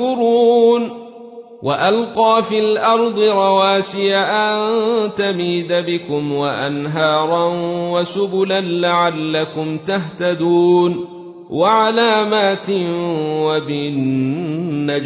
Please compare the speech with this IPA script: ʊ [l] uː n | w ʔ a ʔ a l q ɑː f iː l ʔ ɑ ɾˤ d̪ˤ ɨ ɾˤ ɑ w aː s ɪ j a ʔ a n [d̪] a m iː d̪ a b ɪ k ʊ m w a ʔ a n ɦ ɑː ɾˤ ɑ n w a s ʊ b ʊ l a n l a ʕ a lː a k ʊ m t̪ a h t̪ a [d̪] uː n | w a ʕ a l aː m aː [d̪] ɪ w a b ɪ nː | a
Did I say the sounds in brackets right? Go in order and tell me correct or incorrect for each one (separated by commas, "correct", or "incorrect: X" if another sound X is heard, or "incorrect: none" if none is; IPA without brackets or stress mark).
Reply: incorrect: ɾ, incorrect: t̪, correct, incorrect: t̪